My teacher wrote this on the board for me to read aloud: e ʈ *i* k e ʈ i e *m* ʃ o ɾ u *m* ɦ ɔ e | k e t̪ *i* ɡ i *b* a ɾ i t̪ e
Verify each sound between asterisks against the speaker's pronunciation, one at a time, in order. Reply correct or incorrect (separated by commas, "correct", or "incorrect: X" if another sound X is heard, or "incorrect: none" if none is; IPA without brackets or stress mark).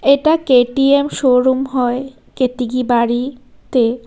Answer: incorrect: a, correct, correct, correct, correct